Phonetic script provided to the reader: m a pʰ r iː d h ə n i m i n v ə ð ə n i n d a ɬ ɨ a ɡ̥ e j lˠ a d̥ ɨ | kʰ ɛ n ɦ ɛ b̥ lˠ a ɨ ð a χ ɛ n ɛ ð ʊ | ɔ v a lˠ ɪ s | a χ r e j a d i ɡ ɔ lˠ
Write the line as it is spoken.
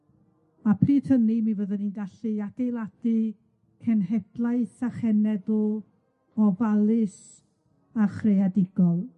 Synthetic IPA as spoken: m a pʰ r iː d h ə n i m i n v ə ð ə n i n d a ɬ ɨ a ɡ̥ e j lˠ a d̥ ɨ | kʰ ɛ n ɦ ɛ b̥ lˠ a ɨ θ a χ ɛ n ɛ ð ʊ | ɔ v a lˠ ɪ s | a χ r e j a d ɪ ɡ ɔ lˠ